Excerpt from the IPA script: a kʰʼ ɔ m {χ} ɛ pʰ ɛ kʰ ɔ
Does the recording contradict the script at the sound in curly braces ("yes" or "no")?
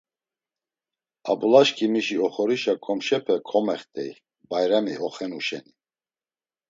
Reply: yes